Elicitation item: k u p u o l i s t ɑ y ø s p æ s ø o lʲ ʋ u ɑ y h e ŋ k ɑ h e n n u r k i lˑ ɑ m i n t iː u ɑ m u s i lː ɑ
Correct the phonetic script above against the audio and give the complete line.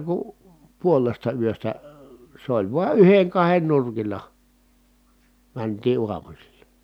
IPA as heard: k u p u o l e s t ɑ y ø s t æ s e o lʲ ʋ u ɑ y h e ŋ k ɑ h e n n u r k i lˑ ɑ m æ n t iː u ɑ m u s i lː ɑ

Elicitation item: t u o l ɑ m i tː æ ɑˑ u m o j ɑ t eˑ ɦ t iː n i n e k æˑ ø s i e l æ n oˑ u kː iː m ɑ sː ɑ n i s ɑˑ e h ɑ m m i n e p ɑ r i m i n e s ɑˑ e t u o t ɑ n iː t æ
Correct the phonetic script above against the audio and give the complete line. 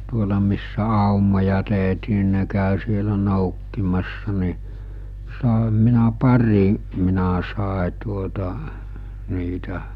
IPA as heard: t u o l ɑ m i sː æ ɑˑ u m o j ɑ t eˑ ɦ t iː n i n e k æˑ ø s i e l æ n oˑ u kː i m ɑ sː ɑ n i s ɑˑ e h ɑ m m i n æ p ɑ r i m i n æ s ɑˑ e t u o t ɑ n iː t æ

